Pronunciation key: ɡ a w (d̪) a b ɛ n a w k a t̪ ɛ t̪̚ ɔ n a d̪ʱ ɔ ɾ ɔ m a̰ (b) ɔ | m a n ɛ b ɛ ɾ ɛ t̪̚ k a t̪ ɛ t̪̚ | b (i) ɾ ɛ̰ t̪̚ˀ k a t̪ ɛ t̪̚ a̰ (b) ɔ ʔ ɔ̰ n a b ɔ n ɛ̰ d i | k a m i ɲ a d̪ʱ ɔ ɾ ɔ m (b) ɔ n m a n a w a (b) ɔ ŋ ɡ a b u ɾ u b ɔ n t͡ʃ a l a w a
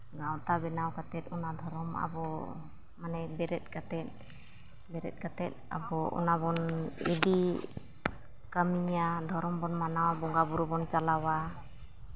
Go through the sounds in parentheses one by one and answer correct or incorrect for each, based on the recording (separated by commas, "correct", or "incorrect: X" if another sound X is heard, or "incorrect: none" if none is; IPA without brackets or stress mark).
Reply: incorrect: t̪, correct, incorrect: ɛ, correct, correct, correct